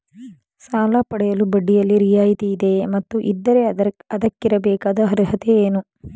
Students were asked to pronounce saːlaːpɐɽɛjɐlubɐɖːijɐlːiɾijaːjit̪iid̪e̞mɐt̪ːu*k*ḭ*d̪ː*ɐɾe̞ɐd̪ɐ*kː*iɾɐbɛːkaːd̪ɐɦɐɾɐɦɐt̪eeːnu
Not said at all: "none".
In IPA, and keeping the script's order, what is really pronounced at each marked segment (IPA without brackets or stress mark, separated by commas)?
ʔ, d̪ː, kː